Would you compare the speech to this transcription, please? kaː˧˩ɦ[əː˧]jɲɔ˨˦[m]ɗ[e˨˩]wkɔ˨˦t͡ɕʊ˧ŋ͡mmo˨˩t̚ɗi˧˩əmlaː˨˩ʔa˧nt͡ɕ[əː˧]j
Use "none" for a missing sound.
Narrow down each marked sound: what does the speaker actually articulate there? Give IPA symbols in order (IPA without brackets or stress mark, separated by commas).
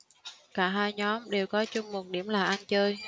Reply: aː˧, m, e˨˩, əː˧